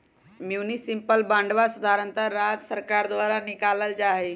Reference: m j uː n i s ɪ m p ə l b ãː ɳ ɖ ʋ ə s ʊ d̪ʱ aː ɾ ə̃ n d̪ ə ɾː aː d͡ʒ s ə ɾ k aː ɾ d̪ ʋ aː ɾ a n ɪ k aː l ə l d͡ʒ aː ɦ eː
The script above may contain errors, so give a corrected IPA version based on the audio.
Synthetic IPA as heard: m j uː n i s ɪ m p ə l b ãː ɳ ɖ ʋ a s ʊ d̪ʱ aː ɾ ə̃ n t̪ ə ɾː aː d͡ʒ s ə ɾ k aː ɾ d̪ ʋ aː ɾ a n ɪ k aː l ə l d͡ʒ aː ɦ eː